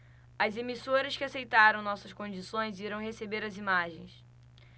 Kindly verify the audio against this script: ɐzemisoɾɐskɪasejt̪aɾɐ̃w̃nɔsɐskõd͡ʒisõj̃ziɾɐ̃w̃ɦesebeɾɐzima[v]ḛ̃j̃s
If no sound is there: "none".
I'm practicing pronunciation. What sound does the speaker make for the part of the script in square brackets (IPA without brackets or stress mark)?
ʒ